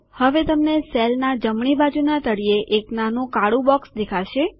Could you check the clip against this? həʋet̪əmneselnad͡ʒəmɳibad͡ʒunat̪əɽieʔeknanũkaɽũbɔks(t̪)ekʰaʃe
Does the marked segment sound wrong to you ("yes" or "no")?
yes